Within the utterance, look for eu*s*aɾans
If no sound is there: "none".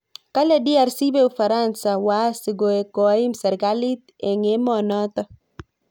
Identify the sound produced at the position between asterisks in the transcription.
f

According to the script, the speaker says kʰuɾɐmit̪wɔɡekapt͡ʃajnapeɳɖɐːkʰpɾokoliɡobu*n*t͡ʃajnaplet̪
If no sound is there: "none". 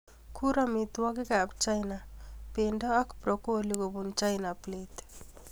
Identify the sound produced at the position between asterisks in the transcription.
n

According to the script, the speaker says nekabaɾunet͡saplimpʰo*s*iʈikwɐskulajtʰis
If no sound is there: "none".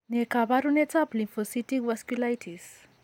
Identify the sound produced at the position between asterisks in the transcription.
s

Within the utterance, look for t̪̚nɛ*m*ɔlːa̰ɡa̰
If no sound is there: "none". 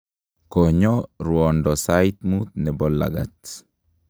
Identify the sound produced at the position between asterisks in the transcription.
b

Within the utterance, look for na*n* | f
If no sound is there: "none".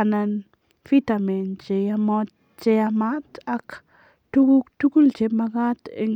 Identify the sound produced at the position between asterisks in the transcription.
n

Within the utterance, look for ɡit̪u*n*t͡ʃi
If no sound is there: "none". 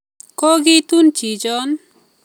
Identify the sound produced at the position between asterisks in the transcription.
n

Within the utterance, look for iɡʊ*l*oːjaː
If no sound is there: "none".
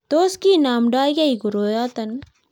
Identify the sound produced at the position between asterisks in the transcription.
ɾ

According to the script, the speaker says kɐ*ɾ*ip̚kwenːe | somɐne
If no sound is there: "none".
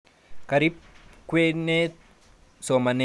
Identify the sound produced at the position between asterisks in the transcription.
ɾ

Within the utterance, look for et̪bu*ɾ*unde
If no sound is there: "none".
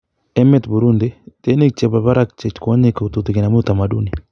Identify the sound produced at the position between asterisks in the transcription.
ɾ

